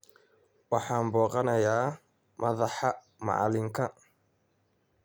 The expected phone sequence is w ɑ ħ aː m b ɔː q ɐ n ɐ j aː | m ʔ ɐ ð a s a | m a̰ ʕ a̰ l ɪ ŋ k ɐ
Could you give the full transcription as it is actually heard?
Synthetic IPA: w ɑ ħ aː m b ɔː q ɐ n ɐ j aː | m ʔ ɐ ð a ħ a | m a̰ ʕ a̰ l ɪ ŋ k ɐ